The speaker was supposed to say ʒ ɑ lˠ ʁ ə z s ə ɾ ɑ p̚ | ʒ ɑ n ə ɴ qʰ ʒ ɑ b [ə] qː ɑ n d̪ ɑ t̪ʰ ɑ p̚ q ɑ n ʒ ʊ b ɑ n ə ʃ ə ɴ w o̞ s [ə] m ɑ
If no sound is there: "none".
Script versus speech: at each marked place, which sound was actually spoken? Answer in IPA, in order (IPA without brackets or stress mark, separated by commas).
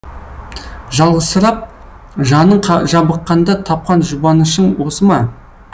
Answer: ə, ə